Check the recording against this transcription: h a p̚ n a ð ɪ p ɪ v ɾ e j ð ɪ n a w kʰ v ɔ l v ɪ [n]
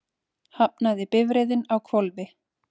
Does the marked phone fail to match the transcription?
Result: yes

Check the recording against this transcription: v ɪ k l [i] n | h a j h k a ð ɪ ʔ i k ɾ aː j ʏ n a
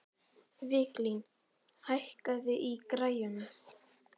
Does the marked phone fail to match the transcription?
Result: no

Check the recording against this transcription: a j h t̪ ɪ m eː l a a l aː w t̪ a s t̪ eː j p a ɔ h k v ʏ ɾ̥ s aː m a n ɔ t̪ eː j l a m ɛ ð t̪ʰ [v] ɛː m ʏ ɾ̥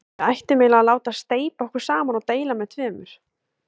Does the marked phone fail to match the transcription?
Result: no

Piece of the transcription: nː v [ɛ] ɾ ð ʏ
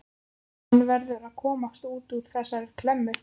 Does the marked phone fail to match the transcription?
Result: no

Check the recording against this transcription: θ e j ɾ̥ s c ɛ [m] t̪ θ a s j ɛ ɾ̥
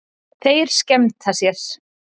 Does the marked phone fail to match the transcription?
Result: no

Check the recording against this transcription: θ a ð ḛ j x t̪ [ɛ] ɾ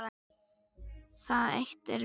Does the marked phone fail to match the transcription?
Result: no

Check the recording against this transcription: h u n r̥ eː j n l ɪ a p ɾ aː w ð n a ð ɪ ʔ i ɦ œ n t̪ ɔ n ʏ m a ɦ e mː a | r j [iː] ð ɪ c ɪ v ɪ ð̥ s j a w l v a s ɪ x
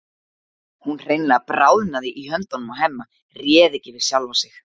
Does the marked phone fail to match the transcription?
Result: yes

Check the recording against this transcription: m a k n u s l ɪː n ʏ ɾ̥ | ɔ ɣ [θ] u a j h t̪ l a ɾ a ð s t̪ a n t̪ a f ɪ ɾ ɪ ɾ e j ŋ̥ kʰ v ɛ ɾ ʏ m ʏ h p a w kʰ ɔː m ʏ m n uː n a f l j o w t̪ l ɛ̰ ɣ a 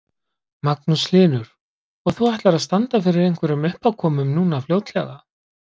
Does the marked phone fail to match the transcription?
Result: no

